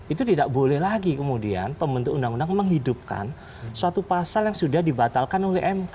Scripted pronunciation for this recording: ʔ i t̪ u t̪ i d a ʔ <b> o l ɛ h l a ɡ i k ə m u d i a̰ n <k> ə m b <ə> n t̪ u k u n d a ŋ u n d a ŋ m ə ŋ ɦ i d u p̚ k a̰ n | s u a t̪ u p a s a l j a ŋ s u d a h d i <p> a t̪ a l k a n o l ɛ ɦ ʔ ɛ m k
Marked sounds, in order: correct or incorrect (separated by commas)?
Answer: correct, incorrect, correct, incorrect